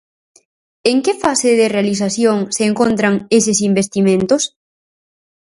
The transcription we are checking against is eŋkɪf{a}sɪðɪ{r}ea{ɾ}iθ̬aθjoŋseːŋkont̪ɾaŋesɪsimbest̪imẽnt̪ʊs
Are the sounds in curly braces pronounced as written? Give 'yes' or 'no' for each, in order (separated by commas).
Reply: yes, yes, no